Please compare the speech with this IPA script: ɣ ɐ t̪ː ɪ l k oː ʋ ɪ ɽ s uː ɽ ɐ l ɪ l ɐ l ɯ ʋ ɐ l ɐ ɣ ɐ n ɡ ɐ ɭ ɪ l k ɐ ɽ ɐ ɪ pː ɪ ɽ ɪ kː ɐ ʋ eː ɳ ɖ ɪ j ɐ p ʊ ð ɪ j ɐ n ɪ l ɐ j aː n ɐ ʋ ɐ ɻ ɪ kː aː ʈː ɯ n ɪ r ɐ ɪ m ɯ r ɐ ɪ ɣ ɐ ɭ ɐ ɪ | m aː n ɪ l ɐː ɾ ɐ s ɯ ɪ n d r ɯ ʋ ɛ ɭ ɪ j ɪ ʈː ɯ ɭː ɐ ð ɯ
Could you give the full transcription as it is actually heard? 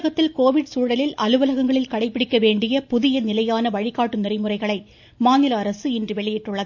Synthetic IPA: ɣ ɐ t̪ː ɪ l k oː ʋ ɪ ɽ s uː ɽ ɐ l ɪ l ɐ l ɯ ʋ ɐ l ɐ ɣ ɐ ŋ ɡ ɐ ɭ ɪ l k ɐ ɽ ɐ ɪ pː ɪ ɽ ɪ kː ɐ ʋ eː ɳ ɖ ɪ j ɐ p ʊ ð ɪ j ɐ n ɪ l ɐ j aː n ɐ ʋ ɐ ɻ ɪ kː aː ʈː ɯ n ɪ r ɐ ɪ m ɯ r ɐ ɪ ɣ ɐ ɭ ɐ ɪ | m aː n ɪ l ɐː ɾ ɐ s ɯ ɪ n d r ɯ ʋ ɛ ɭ ɪ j ɪ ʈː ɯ ɭː ɐ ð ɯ